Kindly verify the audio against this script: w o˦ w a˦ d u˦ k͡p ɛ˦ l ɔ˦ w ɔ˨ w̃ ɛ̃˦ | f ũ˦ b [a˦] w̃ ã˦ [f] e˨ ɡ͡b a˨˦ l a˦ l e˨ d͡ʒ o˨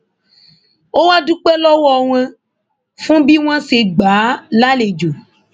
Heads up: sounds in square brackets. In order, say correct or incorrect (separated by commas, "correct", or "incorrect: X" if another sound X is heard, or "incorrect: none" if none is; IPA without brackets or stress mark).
incorrect: i˦, incorrect: s